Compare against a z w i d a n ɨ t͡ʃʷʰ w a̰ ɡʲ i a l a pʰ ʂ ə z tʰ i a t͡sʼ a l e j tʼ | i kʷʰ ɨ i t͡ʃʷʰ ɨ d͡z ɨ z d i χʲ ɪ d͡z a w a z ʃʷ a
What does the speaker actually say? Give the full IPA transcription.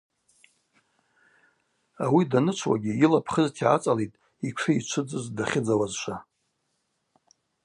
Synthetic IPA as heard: a w i d a n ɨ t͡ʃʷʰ w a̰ ɡʲ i i l a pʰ χ ə z tʰ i a t͡sʼ a l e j tʼ | i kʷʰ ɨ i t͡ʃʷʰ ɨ d͡z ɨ z d a χʲ ɪ d͡z a w a z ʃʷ a